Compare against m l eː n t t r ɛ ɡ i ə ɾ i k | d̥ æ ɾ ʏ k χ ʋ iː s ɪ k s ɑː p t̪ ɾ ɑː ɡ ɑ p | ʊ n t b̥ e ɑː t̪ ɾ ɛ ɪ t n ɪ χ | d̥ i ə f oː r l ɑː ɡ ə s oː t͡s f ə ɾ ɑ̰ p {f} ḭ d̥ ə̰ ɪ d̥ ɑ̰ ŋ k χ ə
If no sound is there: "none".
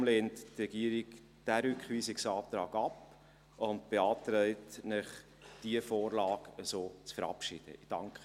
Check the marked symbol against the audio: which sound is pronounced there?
ʃ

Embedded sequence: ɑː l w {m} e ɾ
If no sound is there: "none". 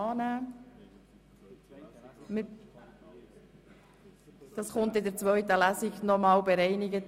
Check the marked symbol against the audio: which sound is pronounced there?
b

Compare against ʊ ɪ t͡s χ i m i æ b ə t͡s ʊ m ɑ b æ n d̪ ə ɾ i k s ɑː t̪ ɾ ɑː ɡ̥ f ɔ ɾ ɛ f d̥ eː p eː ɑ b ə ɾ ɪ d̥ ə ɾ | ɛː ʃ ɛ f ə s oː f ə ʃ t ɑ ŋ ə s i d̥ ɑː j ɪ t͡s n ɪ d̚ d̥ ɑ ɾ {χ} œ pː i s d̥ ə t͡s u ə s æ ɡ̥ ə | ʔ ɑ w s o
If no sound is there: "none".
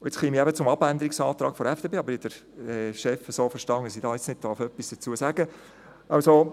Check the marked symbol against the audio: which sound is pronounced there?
f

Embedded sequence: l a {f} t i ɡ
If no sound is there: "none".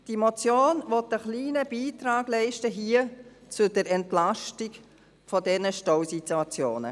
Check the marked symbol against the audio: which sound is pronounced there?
ʃ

